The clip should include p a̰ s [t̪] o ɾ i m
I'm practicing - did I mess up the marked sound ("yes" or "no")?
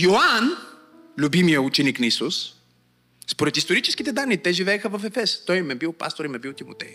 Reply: no